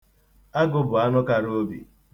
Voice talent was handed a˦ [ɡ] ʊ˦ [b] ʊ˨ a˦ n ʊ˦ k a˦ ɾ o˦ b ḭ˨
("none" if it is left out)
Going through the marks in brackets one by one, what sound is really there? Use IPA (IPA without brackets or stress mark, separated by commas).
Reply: ɡ, b